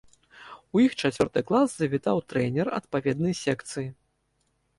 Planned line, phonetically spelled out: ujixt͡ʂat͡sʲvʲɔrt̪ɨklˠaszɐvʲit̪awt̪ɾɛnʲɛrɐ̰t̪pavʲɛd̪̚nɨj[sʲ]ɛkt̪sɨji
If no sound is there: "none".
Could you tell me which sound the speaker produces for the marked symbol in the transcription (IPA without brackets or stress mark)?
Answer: sʲ